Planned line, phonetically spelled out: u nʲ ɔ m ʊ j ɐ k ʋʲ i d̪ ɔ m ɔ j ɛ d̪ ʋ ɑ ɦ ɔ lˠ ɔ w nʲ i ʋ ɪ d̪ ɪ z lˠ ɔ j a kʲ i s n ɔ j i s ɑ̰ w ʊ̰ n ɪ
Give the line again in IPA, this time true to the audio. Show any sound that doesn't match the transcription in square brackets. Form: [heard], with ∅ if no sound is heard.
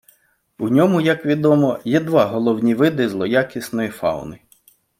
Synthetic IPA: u nʲ ɔ m ʊ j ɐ k ʋʲ i d̪ ɔ m ɔ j ɛ d̪ ʋ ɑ ɦ ɔ lˠ ɔ w nʲ i ʋ ɪ d̪ ɪ z lˠ ɔ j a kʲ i s n ɔ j i [f] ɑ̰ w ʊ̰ n ɪ